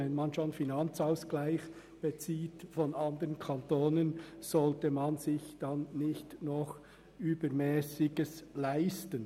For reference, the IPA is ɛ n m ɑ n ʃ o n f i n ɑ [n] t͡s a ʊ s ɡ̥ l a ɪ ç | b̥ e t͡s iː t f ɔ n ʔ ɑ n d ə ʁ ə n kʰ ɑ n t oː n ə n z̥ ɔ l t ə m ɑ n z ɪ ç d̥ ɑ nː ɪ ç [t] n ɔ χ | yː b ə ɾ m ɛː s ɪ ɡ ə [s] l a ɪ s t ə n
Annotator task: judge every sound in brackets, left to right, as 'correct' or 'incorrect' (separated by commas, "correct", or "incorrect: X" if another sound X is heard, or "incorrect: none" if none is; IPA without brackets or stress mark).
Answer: correct, correct, correct